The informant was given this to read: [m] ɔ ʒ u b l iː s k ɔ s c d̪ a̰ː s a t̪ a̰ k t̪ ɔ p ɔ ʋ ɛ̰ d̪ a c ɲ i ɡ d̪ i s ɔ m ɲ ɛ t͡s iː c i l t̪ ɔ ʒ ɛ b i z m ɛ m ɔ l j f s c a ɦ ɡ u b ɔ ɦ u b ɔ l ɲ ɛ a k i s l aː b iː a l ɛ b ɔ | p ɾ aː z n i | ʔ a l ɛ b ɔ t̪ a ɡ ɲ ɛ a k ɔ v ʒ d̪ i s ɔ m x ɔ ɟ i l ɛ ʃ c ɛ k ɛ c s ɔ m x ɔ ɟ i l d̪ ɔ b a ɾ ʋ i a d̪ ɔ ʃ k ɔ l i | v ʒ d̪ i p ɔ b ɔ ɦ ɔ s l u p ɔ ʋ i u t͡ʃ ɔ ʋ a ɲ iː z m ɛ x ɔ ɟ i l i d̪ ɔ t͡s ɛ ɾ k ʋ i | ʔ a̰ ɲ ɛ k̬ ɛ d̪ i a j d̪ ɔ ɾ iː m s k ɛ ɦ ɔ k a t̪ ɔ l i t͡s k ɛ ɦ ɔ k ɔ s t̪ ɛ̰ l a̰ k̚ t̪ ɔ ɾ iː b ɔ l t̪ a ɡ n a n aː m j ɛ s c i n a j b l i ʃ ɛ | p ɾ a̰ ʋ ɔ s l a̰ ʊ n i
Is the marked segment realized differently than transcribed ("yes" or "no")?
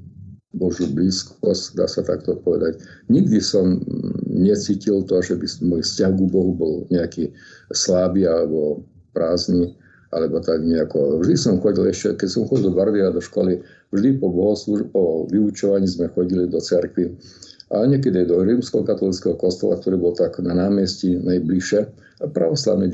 yes